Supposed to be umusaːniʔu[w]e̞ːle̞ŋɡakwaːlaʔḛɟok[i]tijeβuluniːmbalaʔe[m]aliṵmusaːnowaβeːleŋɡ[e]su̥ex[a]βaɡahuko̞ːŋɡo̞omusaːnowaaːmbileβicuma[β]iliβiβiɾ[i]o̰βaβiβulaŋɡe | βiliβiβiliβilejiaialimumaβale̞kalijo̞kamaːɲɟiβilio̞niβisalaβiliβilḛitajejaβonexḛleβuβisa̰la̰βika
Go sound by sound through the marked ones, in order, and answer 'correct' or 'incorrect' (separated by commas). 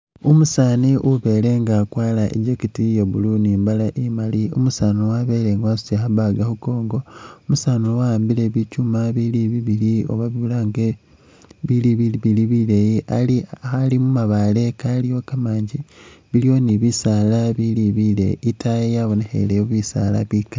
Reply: incorrect, correct, correct, incorrect, correct, correct, correct